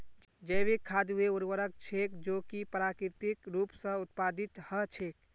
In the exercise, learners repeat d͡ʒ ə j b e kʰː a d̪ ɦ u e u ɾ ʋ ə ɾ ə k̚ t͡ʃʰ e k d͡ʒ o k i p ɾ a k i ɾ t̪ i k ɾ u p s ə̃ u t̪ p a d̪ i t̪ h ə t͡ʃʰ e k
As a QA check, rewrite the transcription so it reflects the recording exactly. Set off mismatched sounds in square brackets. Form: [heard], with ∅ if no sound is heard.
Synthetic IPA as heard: d͡ʒ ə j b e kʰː a d̪ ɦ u e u ɾ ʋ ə ɾ ə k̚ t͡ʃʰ e k d͡ʒ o k i p ɾ a k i ɾ t̪ i k ɾ u p s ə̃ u t̪ p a d̪ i t̪ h ə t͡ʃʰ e k